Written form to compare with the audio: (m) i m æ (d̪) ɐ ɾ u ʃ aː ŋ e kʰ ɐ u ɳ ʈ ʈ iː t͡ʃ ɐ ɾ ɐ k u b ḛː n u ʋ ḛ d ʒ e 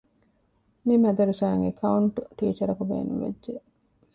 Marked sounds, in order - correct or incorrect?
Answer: correct, correct

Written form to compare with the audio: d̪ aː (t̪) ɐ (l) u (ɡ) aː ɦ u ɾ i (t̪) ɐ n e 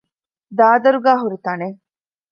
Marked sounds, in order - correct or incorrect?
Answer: incorrect, incorrect, correct, correct

